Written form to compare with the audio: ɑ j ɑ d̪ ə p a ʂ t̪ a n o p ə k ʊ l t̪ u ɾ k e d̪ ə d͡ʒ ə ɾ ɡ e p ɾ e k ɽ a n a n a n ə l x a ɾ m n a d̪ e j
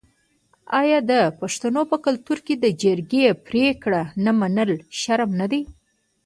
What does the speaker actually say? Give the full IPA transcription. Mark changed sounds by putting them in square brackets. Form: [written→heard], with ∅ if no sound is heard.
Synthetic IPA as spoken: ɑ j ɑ d̪ ə p a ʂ t̪ a n o p ə k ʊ l t̪ u ɾ k e d̪ ə d͡ʒ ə ɾ ɡ e p ɾ e k ɽ a n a [n→m] a n ə l [x→ʃ] a ɾ m n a d̪ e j